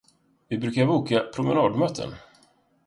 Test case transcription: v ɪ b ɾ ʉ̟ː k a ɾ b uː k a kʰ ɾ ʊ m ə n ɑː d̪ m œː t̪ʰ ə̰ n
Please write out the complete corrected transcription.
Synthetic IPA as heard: v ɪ b ɾ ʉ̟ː k a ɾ b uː k a pʰ ɾ ʊ m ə n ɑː d̪ m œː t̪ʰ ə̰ n